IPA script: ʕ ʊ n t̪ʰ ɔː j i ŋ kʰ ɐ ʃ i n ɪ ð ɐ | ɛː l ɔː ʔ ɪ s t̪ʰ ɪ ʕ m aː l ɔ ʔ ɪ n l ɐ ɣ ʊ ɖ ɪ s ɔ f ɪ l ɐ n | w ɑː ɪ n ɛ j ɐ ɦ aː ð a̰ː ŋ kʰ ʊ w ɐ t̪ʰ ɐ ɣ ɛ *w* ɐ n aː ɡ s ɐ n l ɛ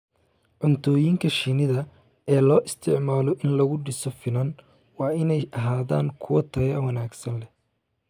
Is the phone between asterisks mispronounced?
no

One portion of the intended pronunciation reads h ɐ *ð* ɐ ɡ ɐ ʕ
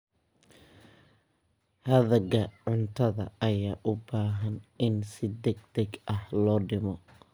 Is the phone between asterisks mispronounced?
no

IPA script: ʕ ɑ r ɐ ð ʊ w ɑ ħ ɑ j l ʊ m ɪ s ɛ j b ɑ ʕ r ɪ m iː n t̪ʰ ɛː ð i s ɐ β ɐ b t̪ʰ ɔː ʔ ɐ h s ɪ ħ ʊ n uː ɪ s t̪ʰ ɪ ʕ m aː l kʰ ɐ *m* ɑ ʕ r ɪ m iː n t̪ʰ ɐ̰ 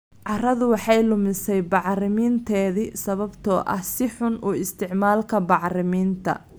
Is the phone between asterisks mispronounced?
yes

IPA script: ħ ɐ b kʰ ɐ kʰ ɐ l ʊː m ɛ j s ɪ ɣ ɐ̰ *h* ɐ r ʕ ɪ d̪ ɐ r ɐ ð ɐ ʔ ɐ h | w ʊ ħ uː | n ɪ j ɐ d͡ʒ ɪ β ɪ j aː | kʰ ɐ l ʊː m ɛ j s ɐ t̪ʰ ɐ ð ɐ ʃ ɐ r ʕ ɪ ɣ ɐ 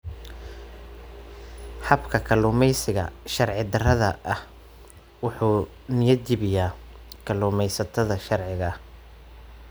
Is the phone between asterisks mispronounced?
yes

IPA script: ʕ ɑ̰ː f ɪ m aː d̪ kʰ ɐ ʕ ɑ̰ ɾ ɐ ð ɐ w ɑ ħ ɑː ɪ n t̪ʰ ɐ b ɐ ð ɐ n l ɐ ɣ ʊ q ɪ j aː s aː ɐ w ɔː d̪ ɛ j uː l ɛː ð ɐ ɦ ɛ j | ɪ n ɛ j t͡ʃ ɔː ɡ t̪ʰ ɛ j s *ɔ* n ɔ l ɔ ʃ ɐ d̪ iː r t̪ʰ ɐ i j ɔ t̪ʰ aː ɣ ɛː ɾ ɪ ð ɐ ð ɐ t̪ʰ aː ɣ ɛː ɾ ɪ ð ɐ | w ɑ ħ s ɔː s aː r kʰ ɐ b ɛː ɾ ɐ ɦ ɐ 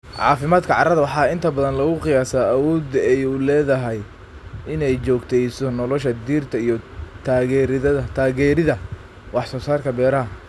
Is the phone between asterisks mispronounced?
no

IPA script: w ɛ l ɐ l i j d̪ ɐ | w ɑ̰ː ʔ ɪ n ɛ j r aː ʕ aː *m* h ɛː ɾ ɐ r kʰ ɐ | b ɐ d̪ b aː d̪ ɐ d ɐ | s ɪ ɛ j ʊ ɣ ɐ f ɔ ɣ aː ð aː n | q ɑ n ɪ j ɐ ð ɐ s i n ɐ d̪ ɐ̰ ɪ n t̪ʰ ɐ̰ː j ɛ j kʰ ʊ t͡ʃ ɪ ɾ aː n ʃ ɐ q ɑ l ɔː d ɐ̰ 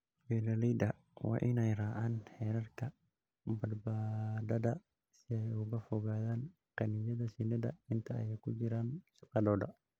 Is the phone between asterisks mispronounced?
yes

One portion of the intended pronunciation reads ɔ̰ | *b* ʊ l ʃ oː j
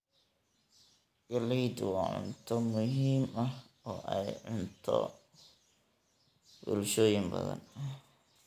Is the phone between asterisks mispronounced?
no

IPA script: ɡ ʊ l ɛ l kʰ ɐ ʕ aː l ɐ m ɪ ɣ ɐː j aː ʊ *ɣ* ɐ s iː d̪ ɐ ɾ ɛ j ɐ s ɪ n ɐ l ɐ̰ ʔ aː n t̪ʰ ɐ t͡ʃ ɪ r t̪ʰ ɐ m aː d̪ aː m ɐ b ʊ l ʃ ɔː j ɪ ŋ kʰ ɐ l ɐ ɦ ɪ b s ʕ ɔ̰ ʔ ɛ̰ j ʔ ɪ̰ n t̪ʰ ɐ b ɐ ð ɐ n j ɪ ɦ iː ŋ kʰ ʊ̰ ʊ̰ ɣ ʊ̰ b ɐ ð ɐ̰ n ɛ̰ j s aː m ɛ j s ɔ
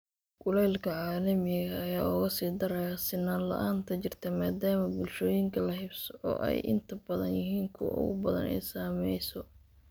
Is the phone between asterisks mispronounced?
no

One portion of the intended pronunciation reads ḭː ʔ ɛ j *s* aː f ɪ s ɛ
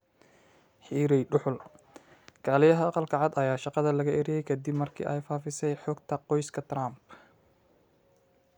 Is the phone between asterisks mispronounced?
yes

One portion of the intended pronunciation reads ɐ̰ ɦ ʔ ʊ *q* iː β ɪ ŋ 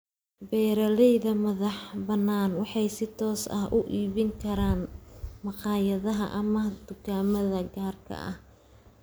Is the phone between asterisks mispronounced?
yes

